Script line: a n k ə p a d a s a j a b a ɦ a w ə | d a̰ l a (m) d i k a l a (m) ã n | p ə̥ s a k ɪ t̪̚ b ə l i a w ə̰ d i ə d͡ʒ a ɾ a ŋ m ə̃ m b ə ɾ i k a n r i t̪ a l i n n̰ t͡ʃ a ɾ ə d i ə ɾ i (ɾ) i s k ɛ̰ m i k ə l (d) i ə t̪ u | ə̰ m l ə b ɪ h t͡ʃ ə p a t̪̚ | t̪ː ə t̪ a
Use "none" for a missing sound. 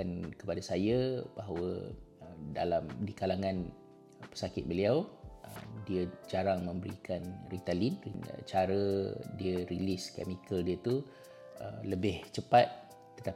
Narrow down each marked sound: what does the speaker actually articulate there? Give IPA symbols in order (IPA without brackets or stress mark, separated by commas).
m, ŋ, l, d